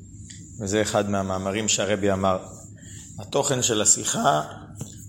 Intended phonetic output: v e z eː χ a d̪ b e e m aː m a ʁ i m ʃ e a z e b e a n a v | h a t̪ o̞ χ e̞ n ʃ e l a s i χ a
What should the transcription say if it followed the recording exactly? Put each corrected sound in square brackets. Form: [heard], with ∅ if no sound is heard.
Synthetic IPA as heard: v e z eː χ a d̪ [m] e [a] m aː m a ʁ i m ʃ e a [ʁ] e b [i] a [m] a [ʁ] | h a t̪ o̞ χ e̞ n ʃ e l a s i χ a